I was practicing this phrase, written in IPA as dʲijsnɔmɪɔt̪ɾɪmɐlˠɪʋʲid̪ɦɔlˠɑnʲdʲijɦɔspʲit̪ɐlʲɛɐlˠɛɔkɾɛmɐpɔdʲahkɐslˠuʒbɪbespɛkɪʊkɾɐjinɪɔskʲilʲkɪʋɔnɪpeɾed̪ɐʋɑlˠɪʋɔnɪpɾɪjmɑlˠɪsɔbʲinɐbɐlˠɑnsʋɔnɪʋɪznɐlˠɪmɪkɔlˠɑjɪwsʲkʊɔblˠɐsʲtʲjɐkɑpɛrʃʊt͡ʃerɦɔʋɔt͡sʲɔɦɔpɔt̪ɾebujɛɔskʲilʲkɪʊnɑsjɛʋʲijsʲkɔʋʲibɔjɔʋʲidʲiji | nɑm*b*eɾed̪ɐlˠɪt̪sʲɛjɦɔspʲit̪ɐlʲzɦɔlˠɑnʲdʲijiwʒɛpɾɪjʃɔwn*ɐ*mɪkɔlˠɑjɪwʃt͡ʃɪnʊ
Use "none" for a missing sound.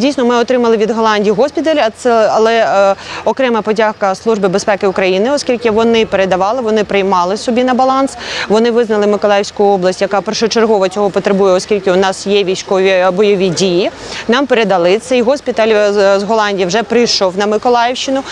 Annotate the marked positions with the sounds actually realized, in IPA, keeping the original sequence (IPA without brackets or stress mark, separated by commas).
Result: p, ɐ